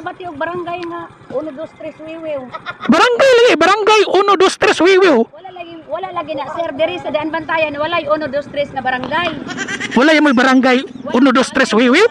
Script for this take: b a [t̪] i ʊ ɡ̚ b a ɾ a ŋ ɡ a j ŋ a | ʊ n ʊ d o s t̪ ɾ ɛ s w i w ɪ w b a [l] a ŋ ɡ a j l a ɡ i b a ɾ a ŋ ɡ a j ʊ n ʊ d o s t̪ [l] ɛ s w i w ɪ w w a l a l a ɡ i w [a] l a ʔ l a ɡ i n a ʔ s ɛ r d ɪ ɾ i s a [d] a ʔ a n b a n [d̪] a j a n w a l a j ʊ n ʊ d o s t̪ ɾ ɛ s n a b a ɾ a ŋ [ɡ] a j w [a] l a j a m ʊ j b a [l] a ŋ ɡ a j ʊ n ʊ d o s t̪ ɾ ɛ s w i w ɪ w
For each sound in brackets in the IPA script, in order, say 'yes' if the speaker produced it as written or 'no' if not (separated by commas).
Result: yes, no, no, yes, yes, no, yes, yes, no